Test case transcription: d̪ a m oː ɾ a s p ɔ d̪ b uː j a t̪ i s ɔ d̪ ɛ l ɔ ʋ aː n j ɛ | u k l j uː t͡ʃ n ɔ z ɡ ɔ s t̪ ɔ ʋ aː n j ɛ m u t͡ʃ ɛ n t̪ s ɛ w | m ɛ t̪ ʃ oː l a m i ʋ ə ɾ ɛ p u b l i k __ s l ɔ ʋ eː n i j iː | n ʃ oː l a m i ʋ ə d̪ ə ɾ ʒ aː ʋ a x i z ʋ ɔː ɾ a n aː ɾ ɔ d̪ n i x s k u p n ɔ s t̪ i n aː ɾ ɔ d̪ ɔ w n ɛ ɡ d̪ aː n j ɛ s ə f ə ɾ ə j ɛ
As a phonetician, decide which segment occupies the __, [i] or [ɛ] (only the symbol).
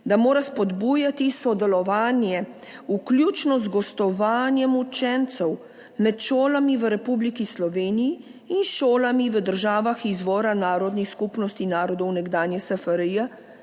i